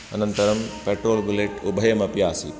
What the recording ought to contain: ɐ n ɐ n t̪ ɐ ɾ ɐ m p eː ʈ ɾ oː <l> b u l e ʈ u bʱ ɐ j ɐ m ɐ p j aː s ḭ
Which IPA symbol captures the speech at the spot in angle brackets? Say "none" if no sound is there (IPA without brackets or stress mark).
l